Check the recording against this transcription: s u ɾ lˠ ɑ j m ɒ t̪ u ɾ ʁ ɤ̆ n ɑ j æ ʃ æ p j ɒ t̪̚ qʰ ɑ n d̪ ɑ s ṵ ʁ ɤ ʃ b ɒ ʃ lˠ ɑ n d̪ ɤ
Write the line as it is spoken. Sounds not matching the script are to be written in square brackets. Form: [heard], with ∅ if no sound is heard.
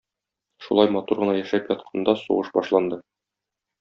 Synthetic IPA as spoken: [ʃ] u [∅] lˠ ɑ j m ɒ t̪ u ɾ ʁ ɤ̆ n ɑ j æ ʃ æ p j ɒ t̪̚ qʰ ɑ n d̪ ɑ s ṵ ʁ ɤ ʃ b ɒ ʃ lˠ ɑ n d̪ ɤ

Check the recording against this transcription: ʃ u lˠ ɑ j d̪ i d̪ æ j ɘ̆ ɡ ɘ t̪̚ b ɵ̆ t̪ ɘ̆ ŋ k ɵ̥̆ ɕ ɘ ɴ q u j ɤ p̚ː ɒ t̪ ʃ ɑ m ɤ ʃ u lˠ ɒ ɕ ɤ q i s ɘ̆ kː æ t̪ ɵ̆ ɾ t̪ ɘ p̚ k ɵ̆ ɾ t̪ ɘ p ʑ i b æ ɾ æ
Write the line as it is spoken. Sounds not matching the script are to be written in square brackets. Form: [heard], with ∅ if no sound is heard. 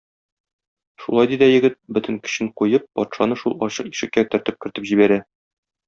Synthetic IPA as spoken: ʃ u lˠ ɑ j d̪ i d̪ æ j ɘ̆ ɡ ɘ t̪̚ b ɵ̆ t̪ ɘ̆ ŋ k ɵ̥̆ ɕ ɘ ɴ q u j ɤ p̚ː ɒ t̪ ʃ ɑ [n] ɤ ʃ u lˠ ɒ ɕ ɤ q i [ʃ] ɘ̆ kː æ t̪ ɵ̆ ɾ t̪ ɘ p̚ k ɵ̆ ɾ t̪ ɘ p ʑ i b æ ɾ æ

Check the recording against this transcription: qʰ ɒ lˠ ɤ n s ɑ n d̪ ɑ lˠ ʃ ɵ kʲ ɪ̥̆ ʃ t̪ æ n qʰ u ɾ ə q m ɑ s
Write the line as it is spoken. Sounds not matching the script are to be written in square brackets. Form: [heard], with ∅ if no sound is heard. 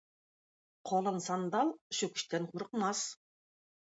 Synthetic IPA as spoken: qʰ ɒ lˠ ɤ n s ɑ n d̪ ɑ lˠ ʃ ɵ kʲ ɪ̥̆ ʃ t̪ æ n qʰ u ɾ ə q m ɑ s

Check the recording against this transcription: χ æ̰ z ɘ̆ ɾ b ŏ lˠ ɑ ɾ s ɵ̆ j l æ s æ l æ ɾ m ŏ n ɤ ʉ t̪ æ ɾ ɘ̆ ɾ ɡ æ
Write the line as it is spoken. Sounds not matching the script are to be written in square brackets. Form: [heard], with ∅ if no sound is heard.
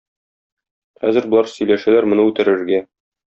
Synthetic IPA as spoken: χ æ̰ z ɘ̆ ɾ b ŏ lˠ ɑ ɾ s ɵ̆ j l æ [ʃ] æ l æ ɾ m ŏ n ɤ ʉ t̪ æ ɾ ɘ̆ ɾ ɡ æ

